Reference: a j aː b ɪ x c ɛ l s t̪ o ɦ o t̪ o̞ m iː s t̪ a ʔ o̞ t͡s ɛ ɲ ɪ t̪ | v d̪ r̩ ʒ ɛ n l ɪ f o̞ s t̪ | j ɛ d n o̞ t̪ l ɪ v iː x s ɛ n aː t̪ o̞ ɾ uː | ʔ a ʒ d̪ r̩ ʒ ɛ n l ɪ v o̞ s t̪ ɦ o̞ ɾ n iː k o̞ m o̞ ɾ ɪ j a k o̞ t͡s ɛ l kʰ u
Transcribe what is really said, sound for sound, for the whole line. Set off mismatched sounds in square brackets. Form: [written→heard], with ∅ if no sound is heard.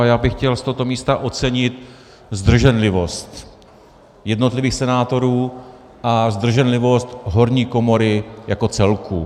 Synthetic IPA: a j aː b ɪ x c ɛ l s t̪ o ɦ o t̪ o̞ m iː s t̪ a ʔ o̞ t͡s ɛ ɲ ɪ t̪ | [v→z] d̪ r̩ ʒ ɛ n l ɪ [f→v] o̞ s t̪ | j ɛ d n o̞ t̪ l ɪ v iː x s ɛ n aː t̪ o̞ ɾ uː | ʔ a [ʒ→z] d̪ r̩ ʒ ɛ n l ɪ v o̞ s t̪ ɦ o̞ ɾ [n→ɲ] iː k o̞ m o̞ ɾ ɪ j a k o̞ t͡s ɛ l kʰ u